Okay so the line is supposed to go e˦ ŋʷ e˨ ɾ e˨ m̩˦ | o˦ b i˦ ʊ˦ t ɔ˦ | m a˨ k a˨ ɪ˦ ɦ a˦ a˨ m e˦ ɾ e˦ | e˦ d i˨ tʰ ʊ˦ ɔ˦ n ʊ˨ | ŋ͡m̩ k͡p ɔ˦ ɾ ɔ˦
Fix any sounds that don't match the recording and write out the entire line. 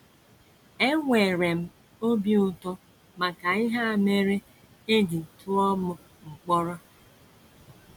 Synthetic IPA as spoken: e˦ ŋʷ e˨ ɾ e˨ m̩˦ | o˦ b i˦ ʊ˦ t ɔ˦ | m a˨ k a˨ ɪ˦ ɦ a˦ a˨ m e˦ ɾ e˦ | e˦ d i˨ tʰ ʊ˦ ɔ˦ m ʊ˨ | ŋ͡m̩ k͡p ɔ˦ ɾ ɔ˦